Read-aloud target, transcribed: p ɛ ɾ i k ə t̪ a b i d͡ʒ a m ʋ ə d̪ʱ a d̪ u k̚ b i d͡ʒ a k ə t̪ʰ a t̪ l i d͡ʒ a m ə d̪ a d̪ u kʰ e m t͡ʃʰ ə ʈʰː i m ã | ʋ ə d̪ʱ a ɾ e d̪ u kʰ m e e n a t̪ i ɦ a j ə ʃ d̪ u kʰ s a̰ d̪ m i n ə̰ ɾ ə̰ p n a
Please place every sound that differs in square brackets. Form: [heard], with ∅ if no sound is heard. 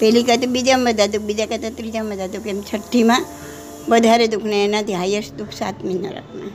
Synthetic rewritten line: p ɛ [l] i k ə t̪ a b i d͡ʒ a m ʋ ə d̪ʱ a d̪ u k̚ b i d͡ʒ a k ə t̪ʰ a t̪ [ɾ] i d͡ʒ a m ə d̪ a d̪ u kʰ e m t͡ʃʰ ə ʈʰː i m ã | ʋ ə d̪ʱ a ɾ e d̪ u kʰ [n] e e n a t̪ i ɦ a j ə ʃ d̪ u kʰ s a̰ [t̪] m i n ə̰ ɾ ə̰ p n a